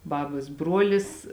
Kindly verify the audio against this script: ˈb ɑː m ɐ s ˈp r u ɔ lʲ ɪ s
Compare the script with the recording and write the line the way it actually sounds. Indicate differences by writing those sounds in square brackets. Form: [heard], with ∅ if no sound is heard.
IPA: ˈb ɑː [b] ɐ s [ˈb] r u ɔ lʲ ɪ s